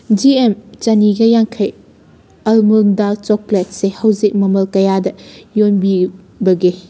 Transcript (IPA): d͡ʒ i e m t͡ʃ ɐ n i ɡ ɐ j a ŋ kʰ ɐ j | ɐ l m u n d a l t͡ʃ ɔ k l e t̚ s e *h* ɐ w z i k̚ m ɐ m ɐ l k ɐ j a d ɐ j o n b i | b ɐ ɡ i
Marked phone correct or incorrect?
correct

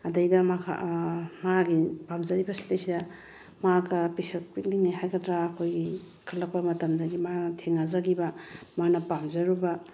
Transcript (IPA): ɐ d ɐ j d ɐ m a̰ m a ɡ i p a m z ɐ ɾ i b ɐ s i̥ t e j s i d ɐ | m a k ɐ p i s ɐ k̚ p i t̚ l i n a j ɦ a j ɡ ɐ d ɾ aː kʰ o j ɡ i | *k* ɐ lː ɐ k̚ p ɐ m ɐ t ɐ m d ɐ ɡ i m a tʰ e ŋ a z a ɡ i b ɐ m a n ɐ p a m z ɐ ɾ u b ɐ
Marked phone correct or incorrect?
incorrect: kʰ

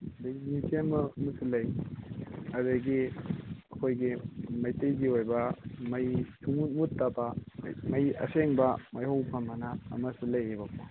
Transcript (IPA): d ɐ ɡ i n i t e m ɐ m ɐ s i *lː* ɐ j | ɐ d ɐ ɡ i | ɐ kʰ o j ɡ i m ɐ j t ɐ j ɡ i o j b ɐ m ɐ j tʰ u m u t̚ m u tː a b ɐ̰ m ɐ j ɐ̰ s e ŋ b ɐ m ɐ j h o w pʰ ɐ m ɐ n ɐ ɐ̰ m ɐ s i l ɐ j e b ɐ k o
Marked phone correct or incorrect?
incorrect: l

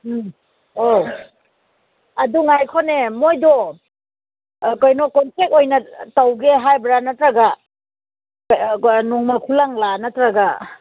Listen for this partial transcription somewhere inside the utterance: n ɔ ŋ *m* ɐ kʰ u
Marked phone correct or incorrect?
correct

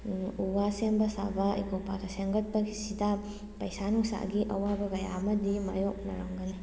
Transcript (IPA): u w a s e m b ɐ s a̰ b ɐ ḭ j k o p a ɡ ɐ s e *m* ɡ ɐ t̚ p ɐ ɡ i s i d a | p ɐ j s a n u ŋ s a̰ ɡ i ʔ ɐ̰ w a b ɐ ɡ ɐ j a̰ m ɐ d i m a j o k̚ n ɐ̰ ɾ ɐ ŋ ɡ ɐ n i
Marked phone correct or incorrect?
incorrect: ŋ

